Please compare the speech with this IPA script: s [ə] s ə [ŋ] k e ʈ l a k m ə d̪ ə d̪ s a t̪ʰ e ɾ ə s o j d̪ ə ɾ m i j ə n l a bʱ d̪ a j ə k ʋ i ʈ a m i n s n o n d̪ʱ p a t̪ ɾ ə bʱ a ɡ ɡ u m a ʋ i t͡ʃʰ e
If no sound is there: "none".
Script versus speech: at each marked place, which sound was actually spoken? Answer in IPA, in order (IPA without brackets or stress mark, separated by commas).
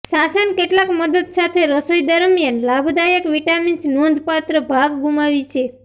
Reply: a, n